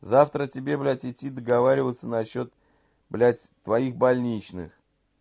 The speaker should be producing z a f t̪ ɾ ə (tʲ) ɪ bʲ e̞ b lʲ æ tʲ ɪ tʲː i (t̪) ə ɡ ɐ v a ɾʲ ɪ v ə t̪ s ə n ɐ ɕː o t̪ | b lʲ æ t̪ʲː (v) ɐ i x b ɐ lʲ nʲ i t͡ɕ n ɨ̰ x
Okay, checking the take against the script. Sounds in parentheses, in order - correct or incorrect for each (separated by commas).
correct, incorrect, correct